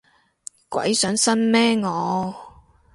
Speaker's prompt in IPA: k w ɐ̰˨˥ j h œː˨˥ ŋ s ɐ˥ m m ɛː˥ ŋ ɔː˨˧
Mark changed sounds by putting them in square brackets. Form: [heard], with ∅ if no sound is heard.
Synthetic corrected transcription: k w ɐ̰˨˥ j [s] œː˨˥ ŋ s ɐ˥ [n] m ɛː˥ ŋ ɔː˨˧

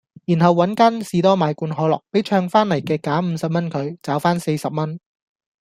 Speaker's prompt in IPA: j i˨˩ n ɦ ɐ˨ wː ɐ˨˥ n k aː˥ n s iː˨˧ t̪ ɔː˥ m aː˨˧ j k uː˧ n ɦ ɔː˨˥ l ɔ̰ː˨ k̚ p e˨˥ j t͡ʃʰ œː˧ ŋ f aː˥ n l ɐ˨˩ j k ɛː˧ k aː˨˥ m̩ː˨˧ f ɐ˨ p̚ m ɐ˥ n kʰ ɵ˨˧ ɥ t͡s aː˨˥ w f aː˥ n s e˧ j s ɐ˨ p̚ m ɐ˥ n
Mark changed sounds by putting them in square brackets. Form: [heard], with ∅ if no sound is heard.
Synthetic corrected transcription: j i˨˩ n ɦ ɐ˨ wː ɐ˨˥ n k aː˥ n s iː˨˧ t̪ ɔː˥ m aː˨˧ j k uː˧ n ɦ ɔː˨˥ l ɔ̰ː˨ k̚ p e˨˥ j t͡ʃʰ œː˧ ŋ f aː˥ n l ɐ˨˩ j k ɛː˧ k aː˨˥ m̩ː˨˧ [s] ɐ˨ p̚ m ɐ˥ n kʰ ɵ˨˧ ɥ t͡s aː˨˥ w f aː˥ n s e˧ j s ɐ˨ p̚ m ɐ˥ n

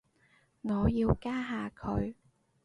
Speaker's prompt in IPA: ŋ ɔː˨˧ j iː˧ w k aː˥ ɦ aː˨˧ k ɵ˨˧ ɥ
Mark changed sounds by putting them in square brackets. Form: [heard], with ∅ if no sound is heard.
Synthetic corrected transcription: ŋ ɔː˨˧ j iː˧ w k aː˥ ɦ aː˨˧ [kʰ] ɵ˨˧ ɥ

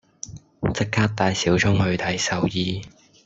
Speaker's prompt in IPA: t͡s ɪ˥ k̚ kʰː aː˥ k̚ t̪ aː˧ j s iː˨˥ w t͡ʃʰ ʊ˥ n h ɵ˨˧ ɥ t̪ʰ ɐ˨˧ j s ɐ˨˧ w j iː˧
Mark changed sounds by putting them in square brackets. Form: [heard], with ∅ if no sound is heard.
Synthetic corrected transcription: t͡s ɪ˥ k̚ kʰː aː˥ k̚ t̪ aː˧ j s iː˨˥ w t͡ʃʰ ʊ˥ [ŋ] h ɵ˨˧ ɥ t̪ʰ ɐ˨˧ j s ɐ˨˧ w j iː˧

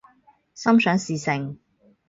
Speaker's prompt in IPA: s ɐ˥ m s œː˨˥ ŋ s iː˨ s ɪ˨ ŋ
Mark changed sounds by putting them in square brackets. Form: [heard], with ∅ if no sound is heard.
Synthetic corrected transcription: s ɐ˥ m s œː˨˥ ŋ s iː˨ s ɪ˨ ŋ

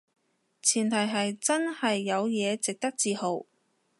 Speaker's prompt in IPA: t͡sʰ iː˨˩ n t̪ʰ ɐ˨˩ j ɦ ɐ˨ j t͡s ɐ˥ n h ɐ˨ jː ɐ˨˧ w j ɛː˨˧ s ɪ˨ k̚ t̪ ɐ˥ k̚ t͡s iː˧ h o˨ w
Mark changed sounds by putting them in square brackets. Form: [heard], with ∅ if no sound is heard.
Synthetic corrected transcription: t͡sʰ iː˨˩ n t̪ʰ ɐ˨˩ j ɦ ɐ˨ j t͡s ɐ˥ n h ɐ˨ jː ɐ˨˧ w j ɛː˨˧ [t͡s] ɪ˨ k̚ t̪ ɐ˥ k̚ t͡s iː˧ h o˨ w

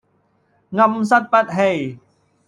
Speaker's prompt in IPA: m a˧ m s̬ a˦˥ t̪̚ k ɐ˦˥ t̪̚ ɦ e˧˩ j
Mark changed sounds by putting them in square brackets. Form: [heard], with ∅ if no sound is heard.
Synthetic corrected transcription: [ŋ] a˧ m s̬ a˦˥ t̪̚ [p] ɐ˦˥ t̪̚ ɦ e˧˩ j

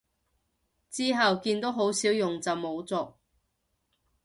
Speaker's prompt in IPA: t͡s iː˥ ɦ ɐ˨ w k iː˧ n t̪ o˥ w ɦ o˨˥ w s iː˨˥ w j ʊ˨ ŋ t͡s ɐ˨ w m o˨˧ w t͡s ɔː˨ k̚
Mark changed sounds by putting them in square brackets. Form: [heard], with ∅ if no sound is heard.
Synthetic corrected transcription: t͡s iː˥ ɦ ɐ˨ w k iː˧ n t̪ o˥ w ɦ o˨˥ w s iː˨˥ w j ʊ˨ ŋ t͡s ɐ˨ w m o˨˧ w t͡s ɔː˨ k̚

